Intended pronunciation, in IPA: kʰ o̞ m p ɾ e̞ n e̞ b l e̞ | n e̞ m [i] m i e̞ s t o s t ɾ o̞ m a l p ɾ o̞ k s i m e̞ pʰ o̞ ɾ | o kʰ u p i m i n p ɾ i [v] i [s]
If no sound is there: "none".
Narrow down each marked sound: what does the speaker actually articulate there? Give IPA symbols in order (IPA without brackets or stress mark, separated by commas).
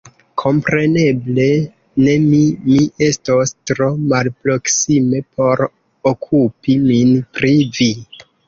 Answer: i, v, none